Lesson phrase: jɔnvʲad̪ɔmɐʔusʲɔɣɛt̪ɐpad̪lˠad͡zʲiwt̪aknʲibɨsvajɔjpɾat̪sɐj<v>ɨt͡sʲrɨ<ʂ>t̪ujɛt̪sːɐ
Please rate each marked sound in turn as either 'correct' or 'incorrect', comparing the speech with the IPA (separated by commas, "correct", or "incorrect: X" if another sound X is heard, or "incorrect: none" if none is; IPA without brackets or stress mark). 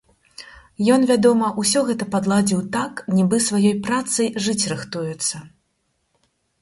incorrect: ʐ, incorrect: x